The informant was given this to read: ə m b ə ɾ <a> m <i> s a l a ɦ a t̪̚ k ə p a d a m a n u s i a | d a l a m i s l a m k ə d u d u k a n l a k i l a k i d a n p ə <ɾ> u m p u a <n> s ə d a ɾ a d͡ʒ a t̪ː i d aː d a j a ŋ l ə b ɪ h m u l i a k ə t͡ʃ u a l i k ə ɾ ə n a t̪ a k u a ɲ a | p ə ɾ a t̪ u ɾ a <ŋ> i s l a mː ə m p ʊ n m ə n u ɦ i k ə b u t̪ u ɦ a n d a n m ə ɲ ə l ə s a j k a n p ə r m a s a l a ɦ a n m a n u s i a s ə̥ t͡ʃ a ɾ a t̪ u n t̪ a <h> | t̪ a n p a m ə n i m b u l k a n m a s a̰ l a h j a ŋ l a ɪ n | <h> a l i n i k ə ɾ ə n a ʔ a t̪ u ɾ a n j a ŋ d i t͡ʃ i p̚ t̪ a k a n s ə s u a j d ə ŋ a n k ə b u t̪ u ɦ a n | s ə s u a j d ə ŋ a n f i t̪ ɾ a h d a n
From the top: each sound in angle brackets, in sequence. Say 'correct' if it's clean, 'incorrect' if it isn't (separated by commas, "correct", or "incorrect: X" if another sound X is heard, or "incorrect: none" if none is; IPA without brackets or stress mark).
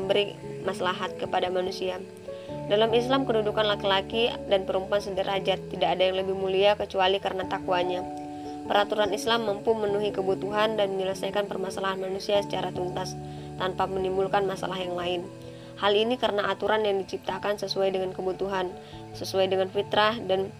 incorrect: i, incorrect: a, correct, correct, incorrect: n, incorrect: s, correct